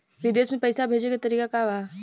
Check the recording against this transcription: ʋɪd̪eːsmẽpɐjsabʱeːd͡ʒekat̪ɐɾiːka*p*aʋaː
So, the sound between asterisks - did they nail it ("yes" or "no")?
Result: no